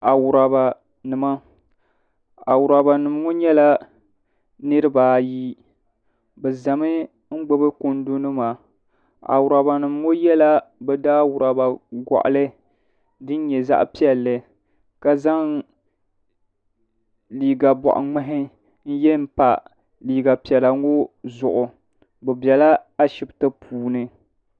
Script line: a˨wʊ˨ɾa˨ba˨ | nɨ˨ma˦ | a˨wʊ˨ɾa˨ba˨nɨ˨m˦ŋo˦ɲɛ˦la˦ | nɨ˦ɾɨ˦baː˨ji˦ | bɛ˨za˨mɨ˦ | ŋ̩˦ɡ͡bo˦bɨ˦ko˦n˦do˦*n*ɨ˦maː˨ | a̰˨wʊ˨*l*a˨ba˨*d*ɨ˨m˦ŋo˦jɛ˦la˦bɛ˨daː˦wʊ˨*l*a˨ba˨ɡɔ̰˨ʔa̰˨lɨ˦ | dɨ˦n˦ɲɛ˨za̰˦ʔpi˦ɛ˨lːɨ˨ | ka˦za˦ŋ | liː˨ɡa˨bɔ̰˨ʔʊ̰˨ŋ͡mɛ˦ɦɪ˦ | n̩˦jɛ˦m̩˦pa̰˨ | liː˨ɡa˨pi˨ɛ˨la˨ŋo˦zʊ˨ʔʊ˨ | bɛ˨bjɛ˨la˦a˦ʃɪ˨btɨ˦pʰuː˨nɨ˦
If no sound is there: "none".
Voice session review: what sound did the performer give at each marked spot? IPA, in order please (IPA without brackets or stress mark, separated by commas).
n, ɾ, n, ɾ